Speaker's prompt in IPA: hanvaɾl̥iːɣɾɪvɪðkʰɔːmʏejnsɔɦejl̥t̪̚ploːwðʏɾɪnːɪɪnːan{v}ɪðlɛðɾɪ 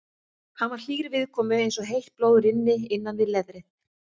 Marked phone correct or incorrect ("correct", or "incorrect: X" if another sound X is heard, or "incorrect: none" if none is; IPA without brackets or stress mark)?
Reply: correct